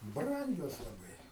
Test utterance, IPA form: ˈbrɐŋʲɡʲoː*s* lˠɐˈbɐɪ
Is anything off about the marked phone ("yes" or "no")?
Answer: no